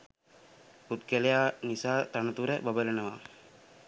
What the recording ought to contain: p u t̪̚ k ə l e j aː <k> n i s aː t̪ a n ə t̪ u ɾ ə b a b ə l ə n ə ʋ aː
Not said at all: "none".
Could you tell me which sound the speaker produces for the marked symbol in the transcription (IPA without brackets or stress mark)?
none